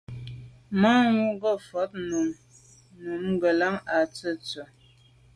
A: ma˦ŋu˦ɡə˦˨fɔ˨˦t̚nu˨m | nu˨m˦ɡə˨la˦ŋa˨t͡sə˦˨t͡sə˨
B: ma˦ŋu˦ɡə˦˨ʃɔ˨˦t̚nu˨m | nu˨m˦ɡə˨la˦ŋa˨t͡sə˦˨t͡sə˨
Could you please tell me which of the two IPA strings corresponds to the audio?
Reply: A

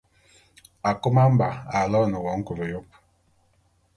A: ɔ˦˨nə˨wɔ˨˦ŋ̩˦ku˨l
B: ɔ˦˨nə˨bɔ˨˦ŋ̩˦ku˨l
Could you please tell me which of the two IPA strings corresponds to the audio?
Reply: A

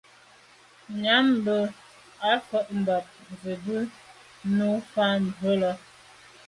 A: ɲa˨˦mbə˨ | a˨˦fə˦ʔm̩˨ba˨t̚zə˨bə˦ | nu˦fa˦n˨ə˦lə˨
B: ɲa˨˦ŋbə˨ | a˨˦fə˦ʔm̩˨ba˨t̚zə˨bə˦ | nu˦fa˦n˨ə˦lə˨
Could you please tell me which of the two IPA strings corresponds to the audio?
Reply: A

